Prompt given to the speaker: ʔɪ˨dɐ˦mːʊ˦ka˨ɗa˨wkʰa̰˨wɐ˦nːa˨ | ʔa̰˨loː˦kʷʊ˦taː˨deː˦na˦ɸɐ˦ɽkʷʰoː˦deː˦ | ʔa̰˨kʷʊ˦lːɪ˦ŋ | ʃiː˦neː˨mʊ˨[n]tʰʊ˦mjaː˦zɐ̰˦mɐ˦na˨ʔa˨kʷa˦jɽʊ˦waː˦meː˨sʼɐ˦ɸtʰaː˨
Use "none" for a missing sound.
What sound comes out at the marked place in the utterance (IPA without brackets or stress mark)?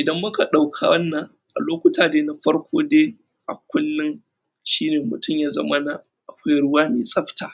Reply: none